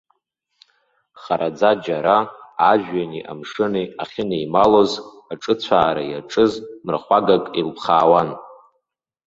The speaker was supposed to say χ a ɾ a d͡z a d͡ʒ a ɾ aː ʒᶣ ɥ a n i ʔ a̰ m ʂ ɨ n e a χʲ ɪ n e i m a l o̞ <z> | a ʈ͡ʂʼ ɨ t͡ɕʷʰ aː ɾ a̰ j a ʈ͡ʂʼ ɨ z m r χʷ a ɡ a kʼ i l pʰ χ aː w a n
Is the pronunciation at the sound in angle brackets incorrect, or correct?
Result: correct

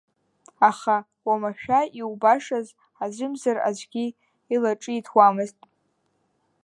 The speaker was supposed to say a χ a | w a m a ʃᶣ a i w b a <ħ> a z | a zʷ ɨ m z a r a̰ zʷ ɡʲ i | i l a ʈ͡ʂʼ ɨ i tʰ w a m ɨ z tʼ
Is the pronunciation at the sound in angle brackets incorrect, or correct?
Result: incorrect: ʂ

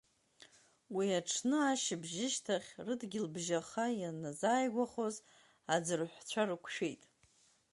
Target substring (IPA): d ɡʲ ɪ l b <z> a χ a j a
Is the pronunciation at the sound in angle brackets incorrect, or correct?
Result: incorrect: ʒ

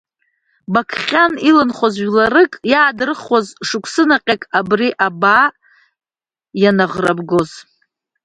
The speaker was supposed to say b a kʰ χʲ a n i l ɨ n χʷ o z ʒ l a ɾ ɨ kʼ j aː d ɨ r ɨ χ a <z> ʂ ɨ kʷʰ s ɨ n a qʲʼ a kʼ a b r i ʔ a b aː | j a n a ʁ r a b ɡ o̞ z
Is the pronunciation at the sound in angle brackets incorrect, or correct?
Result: correct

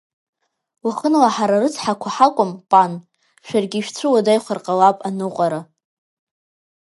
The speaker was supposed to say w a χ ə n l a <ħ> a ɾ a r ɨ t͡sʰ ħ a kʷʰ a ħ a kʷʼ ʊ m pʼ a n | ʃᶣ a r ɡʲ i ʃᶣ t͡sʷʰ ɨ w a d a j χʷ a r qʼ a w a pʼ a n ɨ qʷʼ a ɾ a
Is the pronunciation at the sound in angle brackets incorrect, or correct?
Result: correct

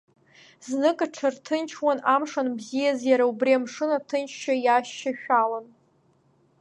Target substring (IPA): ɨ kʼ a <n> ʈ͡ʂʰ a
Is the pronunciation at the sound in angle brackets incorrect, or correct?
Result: incorrect: none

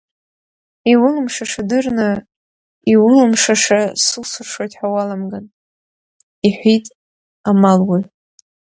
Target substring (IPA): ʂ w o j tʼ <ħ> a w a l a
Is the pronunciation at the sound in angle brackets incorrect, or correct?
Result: correct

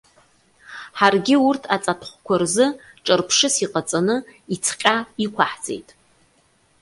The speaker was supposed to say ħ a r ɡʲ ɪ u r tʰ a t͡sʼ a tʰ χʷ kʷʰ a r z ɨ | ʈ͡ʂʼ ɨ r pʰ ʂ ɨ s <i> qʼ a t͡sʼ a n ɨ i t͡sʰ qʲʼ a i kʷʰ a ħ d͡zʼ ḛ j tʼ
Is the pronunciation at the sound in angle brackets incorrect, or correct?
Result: correct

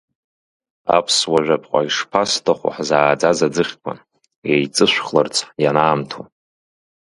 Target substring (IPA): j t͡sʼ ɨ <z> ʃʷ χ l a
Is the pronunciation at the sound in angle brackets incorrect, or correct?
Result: incorrect: none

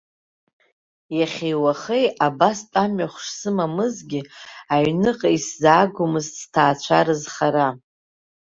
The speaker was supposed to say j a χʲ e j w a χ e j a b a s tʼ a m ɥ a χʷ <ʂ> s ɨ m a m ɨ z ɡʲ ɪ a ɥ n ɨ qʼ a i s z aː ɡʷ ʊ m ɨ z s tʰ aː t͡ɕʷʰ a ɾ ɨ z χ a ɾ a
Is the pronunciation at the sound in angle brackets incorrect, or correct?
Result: correct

